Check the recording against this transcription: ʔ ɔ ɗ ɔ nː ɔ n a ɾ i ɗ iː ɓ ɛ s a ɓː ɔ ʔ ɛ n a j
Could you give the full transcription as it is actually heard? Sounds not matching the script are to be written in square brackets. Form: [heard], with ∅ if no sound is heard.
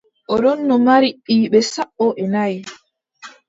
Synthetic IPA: ʔ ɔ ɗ ɔ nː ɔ [m] a ɾ i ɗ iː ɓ ɛ s a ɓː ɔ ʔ ɛ n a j